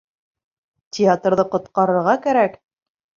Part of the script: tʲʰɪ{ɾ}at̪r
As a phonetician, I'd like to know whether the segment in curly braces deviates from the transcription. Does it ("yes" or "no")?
yes